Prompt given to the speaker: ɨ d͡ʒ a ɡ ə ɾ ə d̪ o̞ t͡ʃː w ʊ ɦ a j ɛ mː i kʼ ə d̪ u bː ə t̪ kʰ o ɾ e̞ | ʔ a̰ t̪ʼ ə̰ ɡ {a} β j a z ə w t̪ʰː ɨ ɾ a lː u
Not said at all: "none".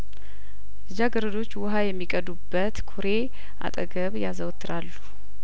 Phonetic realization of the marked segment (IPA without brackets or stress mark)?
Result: ə